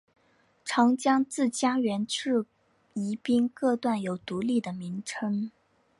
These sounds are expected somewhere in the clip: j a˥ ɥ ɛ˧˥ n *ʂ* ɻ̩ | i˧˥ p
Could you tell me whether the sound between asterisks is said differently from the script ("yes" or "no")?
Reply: yes